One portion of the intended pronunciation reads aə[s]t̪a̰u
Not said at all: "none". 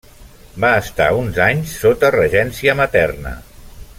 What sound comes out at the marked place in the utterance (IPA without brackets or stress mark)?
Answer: s